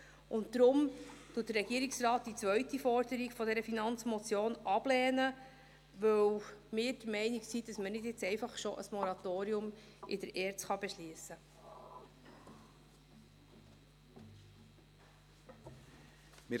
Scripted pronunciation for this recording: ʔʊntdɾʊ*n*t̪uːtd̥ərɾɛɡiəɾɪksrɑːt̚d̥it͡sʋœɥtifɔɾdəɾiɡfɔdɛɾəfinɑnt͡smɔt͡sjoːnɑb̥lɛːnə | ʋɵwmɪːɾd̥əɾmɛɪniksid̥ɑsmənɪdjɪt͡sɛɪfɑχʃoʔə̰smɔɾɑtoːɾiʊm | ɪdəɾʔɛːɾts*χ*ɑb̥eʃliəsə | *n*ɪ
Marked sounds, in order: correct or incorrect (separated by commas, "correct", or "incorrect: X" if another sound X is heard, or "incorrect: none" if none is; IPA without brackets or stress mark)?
incorrect: m, correct, incorrect: m